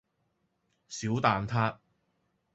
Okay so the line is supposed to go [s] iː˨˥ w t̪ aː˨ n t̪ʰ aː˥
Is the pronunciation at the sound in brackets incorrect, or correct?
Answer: correct